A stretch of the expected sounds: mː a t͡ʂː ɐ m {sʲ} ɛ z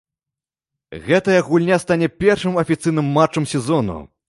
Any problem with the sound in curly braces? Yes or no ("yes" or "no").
no